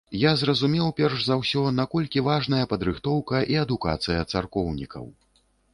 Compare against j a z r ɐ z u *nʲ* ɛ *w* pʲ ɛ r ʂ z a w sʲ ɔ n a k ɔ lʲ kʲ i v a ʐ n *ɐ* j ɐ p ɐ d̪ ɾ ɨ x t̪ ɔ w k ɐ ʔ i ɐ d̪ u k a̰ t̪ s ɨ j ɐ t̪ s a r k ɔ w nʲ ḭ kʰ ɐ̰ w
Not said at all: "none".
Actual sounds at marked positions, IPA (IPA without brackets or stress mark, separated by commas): mʲ, w, ɐ